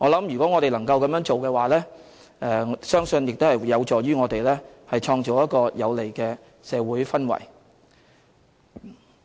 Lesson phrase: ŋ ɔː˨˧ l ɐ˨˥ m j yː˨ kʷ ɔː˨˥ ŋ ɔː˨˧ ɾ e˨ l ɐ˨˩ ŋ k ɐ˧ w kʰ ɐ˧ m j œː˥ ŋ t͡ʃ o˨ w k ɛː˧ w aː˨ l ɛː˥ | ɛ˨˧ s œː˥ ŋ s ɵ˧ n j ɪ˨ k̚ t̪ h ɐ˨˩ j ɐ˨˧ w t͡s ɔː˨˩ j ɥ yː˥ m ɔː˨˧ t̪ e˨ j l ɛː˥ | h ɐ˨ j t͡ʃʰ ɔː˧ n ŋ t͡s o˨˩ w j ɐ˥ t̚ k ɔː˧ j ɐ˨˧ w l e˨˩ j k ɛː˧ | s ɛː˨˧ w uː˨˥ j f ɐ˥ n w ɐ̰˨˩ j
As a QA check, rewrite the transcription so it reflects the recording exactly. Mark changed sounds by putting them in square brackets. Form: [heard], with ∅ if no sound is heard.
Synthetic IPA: ŋ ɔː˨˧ l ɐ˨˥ m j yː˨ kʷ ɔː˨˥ ŋ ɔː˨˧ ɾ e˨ l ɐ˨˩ ŋ k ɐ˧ w [k] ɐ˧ m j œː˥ ŋ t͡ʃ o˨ w k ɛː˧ w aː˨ l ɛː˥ | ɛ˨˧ s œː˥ ŋ s ɵ˧ n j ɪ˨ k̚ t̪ h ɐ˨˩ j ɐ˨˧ w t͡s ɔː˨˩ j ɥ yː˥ [ŋ] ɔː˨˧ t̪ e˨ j l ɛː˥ | h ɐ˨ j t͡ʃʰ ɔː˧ [∅] ŋ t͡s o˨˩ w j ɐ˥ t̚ k ɔː˧ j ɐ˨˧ w l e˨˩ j k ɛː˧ | s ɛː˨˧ w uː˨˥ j f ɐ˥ n w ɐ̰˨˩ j

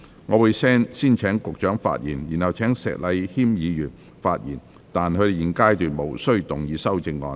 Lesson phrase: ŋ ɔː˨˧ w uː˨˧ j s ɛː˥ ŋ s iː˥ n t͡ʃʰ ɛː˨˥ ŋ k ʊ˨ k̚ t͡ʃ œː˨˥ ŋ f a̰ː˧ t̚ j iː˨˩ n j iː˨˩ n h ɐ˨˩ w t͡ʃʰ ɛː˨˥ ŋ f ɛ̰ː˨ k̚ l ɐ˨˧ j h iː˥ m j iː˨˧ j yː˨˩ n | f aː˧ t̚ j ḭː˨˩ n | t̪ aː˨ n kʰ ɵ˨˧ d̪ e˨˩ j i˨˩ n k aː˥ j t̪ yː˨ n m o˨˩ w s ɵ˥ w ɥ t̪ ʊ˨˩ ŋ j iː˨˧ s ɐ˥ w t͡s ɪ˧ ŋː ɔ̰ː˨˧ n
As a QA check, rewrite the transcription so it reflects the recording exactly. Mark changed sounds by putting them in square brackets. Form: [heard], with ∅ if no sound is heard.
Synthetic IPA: ŋ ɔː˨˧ w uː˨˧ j s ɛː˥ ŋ s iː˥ n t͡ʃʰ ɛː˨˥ ŋ k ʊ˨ k̚ t͡ʃ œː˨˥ ŋ f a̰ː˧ t̚ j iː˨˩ n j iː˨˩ n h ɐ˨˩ w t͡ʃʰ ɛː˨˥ ŋ [s] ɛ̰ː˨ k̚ l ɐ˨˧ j h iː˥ m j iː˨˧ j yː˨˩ n | f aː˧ t̚ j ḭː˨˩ n | t̪ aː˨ n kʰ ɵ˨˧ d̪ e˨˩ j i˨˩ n k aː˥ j t̪ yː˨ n m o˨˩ w s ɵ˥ [∅] ɥ t̪ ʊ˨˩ ŋ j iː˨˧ s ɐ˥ w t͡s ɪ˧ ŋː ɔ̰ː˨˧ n

